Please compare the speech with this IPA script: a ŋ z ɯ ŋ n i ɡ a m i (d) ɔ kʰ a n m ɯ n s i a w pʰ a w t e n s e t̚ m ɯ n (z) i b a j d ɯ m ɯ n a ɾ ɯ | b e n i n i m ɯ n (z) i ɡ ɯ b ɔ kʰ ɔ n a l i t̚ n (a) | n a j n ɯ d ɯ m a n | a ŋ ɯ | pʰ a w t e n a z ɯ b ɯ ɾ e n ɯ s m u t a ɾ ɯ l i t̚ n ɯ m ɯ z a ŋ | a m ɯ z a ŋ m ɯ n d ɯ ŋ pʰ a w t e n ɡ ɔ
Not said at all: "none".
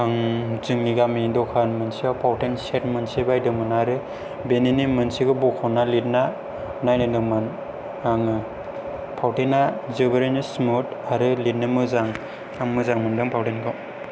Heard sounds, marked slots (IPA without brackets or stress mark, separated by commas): d, s, s, a